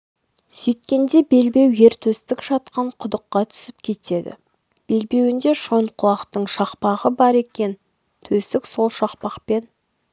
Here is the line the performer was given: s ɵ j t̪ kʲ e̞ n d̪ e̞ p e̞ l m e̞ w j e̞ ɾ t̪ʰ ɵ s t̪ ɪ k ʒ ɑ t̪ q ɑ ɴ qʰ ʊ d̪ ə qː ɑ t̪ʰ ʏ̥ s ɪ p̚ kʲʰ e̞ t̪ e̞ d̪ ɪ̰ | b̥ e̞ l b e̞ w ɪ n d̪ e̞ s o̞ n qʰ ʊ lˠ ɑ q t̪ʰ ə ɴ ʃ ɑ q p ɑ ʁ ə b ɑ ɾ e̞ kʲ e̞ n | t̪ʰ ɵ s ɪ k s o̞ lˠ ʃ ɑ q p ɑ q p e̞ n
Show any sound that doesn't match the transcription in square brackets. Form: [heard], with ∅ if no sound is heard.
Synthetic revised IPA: s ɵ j t̪ kʲ e̞ n d̪ e̞ [b] e̞ l [b] e̞ w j e̞ ɾ t̪ʰ ɵ s t̪ ɪ k ʒ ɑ t̪ q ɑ ɴ qʰ ʊ d̪ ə qː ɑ t̪ʰ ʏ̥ s ɪ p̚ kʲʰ e̞ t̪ e̞ d̪ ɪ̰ | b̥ e̞ l b e̞ w ɪ n d̪ e̞ [ʃ] o̞ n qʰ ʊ lˠ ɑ q [t̪] ə ɴ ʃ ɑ q p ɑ ʁ ə b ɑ ɾ e̞ kʲ e̞ n | t̪ʰ ɵ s ɪ k s o̞ lˠ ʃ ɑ q p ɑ q p e̞ n